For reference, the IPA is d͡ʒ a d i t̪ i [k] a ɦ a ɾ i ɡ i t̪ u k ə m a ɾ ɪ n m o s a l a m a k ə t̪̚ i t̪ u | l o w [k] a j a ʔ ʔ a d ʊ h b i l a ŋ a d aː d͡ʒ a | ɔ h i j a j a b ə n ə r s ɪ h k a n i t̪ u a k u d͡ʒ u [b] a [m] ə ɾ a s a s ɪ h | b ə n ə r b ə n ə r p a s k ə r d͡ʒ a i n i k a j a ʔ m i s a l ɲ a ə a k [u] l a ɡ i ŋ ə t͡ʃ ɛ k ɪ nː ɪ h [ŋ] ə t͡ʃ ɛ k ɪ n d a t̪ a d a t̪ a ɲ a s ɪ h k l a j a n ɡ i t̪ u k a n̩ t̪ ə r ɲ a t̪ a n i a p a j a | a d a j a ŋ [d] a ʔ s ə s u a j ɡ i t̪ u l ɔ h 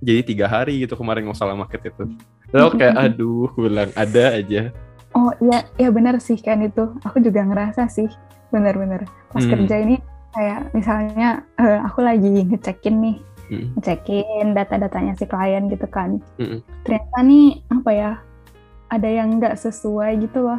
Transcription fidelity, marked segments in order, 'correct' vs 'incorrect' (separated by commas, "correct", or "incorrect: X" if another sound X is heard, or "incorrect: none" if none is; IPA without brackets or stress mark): incorrect: ɡ, correct, incorrect: ɡ, incorrect: ŋ, correct, correct, incorrect: ɡ